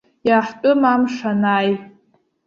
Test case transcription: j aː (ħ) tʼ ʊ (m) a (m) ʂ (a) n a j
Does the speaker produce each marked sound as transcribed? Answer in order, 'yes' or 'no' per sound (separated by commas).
yes, yes, yes, yes